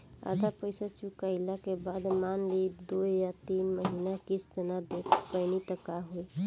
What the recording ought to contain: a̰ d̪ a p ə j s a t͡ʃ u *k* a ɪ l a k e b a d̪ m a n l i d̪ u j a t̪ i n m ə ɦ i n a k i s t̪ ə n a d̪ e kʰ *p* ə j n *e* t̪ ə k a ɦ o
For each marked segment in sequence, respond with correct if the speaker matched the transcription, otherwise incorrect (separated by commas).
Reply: correct, correct, incorrect